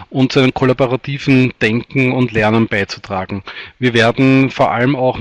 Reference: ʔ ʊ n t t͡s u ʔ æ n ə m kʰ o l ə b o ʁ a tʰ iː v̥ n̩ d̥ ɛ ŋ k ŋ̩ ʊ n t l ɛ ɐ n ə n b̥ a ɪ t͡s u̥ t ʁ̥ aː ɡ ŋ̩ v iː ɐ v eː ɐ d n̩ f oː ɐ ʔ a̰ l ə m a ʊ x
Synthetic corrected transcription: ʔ ʊ n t t͡s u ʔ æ n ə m kʰ o l a b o ʁ a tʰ iː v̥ n̩ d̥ ɛ ŋ k ŋ̩ ʊ n t l ɛ ɐ n ə n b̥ a ɪ t͡s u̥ t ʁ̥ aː ɡ ŋ̩ v iː ɐ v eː ɐ d n̩ f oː ɐ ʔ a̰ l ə m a ʊ x